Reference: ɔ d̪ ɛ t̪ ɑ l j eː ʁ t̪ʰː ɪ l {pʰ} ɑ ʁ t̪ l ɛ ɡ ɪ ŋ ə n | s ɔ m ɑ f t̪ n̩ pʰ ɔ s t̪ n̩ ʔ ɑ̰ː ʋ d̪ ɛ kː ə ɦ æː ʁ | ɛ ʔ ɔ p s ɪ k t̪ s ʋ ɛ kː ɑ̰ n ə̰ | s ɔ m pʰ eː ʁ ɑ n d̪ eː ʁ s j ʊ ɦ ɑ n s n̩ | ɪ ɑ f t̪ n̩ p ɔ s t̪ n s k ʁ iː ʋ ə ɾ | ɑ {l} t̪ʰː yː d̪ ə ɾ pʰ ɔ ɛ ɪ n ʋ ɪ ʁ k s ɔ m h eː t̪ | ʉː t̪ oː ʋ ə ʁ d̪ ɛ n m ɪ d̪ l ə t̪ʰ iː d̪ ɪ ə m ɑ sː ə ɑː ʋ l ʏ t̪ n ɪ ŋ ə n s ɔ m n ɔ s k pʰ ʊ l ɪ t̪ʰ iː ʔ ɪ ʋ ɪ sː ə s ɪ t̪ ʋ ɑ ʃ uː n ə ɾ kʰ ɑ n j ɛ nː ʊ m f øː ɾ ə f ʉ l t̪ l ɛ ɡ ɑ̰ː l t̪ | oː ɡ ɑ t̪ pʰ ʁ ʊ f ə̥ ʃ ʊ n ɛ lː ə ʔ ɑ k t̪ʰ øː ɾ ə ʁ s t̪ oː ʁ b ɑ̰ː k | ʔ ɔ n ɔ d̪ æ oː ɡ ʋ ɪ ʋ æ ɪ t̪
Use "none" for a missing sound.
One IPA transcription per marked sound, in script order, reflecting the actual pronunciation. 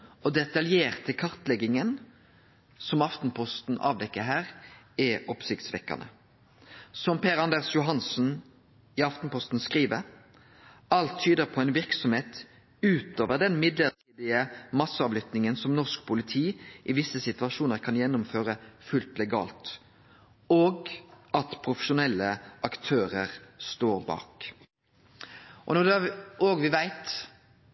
kʰ, l

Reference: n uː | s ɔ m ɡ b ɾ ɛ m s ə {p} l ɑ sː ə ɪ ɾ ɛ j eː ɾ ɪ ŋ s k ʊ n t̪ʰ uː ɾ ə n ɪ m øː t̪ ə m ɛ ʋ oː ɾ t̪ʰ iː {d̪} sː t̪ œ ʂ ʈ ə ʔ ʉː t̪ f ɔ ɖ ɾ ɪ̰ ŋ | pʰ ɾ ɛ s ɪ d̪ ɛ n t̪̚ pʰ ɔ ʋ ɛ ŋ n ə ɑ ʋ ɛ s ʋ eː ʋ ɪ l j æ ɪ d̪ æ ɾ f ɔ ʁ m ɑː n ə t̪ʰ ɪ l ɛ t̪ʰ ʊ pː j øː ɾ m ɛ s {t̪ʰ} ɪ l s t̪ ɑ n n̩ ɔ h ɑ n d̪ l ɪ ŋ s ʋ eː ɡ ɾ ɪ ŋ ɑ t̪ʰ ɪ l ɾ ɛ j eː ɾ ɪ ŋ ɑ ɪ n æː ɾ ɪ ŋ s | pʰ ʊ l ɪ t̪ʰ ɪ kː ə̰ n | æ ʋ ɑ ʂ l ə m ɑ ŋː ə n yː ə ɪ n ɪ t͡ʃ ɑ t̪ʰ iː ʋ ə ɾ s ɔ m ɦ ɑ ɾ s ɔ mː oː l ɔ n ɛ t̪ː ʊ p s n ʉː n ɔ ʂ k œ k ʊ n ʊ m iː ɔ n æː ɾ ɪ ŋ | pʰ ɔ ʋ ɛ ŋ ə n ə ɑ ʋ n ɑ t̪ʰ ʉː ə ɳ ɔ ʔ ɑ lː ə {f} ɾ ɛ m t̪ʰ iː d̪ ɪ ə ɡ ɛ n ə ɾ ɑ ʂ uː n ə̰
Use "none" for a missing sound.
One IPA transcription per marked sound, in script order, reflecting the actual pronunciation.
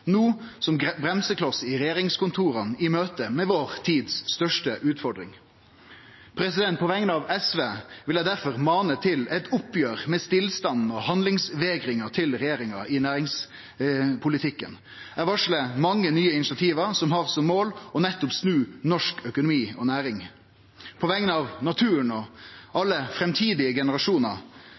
k, d̪, t̪, f

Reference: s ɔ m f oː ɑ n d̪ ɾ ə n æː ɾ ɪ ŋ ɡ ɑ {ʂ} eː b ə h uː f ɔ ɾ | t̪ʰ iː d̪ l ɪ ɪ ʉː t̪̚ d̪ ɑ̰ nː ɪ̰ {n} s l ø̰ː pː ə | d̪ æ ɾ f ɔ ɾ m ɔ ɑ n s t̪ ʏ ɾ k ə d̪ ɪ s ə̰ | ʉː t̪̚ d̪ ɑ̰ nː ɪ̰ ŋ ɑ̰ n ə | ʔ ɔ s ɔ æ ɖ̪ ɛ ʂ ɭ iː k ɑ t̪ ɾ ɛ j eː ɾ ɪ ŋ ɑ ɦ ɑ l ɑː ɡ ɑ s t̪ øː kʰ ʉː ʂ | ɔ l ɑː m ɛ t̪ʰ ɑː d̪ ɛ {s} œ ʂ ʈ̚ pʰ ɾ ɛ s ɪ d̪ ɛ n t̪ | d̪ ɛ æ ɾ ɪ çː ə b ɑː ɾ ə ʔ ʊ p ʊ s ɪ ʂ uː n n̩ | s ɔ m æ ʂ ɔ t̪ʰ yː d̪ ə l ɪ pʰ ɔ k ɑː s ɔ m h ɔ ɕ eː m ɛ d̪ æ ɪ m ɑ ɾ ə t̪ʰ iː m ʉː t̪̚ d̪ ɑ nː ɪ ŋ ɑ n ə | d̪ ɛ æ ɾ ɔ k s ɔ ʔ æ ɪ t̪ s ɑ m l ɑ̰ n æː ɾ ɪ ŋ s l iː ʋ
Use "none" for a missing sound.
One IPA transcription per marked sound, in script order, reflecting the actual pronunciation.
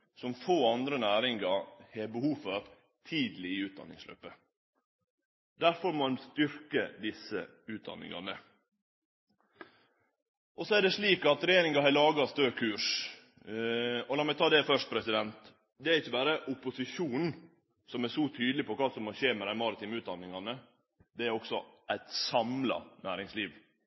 h, ŋ, f

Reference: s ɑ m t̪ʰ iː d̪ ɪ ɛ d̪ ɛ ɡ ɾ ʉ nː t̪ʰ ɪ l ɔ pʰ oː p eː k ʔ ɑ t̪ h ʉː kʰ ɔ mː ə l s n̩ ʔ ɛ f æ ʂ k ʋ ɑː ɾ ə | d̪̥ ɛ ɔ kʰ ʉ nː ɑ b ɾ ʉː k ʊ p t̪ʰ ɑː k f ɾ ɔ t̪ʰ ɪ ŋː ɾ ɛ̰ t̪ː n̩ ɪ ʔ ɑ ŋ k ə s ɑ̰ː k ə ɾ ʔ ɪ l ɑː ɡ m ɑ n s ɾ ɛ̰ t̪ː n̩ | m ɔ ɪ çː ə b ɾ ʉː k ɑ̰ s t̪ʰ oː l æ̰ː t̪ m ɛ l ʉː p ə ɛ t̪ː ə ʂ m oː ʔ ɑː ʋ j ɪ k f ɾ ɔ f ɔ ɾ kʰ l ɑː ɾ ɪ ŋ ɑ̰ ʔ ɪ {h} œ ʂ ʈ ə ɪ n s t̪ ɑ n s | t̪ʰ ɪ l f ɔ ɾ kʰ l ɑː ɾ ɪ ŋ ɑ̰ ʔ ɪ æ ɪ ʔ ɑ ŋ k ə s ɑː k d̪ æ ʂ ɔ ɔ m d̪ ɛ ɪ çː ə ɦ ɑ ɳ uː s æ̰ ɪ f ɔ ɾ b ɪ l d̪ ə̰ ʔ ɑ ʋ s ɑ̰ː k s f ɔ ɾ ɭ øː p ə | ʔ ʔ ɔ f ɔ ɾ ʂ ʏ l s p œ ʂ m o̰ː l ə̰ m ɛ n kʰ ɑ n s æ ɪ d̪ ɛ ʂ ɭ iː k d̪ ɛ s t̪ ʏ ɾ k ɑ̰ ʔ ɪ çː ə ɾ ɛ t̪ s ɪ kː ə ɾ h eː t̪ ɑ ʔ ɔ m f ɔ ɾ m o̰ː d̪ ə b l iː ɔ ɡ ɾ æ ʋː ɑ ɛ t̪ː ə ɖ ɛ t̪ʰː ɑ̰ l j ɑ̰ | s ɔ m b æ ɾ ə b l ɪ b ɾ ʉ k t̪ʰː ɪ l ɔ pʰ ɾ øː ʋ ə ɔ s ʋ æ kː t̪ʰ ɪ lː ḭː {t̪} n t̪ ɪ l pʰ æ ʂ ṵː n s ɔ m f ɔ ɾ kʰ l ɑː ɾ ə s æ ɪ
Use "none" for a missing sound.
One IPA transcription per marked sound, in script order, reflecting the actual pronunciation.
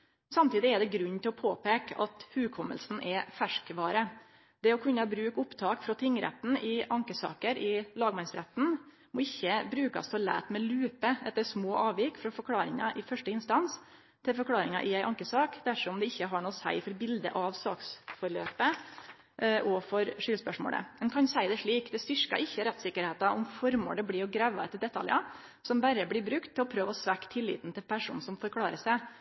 f, t̪

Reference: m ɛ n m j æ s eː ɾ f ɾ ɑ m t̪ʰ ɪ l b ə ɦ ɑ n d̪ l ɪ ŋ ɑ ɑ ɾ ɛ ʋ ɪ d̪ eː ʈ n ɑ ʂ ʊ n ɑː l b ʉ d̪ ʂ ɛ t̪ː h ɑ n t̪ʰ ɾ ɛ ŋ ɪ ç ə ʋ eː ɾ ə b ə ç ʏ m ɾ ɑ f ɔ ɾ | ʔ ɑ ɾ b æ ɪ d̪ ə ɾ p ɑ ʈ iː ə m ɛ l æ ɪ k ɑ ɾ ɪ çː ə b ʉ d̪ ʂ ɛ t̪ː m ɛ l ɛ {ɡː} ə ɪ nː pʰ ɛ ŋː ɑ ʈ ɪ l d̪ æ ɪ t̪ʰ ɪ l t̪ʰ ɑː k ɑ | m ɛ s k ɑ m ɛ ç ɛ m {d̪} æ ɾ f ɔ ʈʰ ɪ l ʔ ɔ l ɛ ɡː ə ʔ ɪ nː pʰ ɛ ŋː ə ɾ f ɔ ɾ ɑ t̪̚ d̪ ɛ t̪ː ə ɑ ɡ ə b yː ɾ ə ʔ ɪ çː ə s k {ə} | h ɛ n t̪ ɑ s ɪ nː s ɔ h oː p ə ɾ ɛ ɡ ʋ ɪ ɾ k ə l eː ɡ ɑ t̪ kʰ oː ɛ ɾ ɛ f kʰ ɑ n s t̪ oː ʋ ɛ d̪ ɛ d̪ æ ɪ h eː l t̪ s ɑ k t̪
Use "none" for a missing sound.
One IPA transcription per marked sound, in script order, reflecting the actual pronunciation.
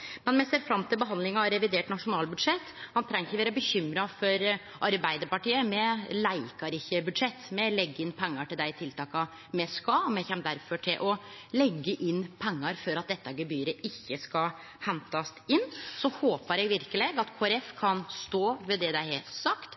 ɡː, d̪, ɑ

